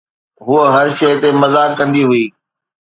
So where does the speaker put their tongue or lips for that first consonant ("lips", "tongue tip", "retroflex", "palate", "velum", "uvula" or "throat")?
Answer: throat